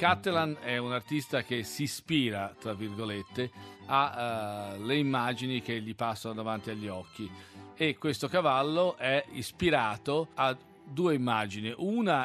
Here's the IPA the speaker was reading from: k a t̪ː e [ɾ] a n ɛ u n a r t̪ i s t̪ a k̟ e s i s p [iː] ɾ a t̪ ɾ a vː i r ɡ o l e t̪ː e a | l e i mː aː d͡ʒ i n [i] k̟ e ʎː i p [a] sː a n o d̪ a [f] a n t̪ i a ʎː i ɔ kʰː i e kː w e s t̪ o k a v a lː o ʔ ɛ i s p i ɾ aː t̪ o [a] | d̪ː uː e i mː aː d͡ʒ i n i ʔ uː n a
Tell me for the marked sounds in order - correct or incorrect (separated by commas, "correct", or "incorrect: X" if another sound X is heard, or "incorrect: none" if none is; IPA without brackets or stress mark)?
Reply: incorrect: l, correct, correct, correct, incorrect: v, correct